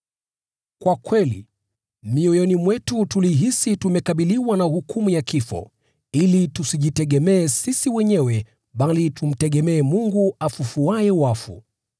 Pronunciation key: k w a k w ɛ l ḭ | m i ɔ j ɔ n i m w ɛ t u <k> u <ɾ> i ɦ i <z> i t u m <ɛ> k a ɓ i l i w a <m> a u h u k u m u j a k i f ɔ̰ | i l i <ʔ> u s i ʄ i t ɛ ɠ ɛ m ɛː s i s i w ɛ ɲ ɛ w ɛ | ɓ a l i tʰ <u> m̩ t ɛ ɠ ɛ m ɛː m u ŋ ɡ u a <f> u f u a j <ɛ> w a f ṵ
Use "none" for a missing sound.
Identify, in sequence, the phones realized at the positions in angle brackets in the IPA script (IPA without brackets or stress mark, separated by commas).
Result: t, l, s, ɛ, n, t, u, f, ɛ